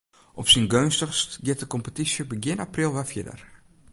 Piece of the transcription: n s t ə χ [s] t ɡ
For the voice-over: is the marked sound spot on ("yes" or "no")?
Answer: yes